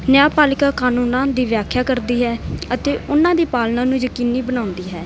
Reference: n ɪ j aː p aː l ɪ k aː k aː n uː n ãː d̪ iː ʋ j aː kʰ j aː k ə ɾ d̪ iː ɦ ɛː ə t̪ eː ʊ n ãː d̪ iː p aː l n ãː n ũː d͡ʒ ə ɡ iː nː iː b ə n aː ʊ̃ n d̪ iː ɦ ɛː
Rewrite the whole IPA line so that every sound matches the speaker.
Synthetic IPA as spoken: n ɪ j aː p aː l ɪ k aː k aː n uː n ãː d̪ iː ʋ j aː kʰ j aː k ə ɾ d̪ iː ɦ ɛː ə t̪ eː ʊ n ãː d̪ iː p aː l n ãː n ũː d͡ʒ ə k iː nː iː b ə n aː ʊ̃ n d̪ iː ɦ ɛː

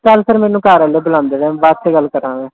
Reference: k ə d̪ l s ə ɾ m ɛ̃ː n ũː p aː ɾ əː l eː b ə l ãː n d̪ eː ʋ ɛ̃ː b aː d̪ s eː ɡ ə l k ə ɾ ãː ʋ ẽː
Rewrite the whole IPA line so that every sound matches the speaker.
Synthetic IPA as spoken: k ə l s ə ɾ m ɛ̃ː n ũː k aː ɾ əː l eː b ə l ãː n d̪ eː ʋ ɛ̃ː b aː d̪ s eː ɡ ə l k ə ɾ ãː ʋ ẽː

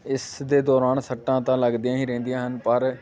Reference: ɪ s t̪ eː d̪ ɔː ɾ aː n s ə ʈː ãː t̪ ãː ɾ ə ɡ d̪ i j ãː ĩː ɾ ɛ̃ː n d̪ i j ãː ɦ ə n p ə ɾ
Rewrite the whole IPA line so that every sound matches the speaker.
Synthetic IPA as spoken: ɪ s d̪ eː d̪ ɔː ɾ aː n s ə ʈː ãː t̪ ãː l ə ɡ d̪ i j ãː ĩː ɾ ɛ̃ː n d̪ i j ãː ɦ ə n p ə ɾ

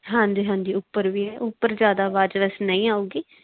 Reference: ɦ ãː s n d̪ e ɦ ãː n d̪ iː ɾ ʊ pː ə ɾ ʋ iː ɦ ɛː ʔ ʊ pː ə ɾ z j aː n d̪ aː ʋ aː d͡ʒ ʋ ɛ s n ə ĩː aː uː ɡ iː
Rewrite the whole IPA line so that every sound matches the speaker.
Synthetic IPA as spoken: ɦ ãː n d̪ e ɦ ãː n d̪ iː ʊ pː ə ɾ ʋ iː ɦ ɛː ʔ ʊ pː ə ɾ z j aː d̪ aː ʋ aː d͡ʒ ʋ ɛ s n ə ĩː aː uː ɡ iː

